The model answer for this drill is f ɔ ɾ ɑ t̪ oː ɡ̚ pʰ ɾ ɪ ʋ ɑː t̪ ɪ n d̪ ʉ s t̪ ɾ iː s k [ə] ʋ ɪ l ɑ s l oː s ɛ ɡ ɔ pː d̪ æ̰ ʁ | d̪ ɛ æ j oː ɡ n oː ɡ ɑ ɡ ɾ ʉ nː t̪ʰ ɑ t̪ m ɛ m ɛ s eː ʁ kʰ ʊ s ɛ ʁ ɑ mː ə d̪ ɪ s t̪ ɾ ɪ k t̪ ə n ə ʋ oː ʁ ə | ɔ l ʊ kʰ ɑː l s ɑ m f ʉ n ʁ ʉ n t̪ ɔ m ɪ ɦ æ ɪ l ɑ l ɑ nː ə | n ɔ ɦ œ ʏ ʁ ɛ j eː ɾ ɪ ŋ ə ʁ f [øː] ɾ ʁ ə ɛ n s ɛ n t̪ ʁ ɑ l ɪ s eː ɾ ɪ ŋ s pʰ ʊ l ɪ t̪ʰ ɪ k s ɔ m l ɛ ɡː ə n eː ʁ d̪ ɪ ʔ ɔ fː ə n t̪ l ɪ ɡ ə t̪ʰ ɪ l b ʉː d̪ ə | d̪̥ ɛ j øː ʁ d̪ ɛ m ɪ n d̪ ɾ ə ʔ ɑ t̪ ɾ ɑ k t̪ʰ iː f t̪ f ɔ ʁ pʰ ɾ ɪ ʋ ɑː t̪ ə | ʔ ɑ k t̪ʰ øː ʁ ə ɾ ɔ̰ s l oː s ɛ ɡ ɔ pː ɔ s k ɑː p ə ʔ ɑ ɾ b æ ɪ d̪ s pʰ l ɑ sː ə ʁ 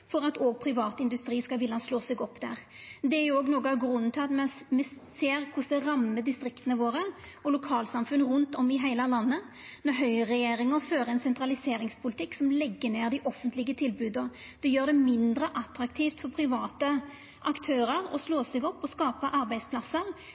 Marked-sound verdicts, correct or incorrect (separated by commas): incorrect, correct